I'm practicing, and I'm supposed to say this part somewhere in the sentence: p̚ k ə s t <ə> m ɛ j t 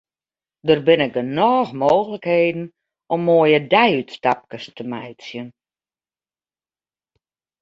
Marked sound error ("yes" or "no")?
no